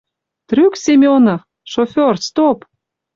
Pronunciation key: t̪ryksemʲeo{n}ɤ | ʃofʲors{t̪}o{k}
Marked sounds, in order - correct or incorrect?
correct, correct, incorrect: p

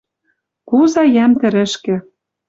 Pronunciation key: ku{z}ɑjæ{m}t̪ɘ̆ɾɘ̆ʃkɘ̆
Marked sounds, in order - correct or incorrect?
correct, correct

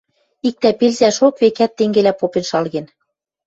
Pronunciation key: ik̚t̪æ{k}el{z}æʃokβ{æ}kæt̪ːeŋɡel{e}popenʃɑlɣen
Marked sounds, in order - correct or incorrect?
incorrect: p, correct, incorrect: e, incorrect: æ

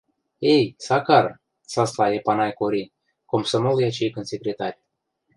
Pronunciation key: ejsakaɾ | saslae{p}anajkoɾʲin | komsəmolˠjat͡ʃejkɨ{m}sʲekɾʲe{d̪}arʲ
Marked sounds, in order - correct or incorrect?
correct, incorrect: n, incorrect: t̪

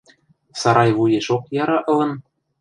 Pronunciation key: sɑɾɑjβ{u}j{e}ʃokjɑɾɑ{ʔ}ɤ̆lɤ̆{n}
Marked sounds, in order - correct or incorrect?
correct, correct, correct, correct

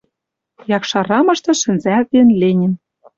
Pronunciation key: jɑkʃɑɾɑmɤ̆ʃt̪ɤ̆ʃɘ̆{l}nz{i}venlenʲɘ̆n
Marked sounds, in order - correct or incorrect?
incorrect: none, incorrect: æ

